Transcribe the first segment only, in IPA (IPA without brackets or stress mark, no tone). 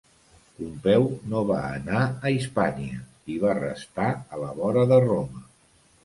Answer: u